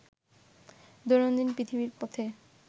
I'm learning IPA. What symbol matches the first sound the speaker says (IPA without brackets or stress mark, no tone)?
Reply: d̪